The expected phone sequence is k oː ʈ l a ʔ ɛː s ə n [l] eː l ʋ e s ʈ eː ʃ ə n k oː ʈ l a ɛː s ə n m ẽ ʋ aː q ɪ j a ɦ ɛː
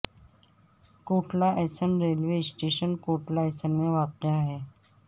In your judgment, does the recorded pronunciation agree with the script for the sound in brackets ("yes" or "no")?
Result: no